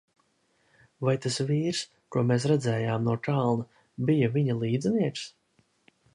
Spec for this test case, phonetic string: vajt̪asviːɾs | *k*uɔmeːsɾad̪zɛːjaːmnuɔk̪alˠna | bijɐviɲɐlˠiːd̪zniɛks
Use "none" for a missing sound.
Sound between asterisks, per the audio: k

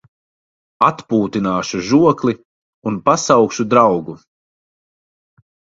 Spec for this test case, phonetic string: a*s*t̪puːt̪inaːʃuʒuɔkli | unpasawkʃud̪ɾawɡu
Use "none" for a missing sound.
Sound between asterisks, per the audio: none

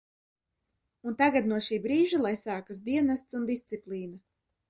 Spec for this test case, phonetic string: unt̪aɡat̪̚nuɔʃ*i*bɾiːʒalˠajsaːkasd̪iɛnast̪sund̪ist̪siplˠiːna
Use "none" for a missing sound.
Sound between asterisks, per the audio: iː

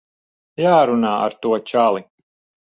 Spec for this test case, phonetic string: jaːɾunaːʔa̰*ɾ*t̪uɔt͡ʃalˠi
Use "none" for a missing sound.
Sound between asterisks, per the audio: ɾ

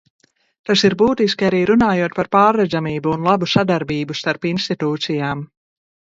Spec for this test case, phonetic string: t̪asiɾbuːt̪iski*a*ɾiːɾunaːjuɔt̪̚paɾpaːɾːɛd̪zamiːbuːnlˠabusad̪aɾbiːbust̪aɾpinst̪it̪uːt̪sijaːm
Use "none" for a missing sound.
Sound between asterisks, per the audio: a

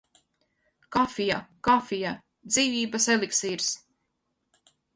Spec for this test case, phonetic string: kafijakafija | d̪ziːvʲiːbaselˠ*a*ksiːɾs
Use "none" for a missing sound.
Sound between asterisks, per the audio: i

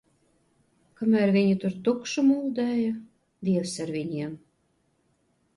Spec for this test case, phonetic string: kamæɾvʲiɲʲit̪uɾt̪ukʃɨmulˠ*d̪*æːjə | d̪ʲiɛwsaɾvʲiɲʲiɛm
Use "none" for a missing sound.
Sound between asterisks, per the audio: d̪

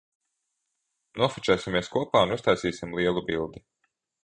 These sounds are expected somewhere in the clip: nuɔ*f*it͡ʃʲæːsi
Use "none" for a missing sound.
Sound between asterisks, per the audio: f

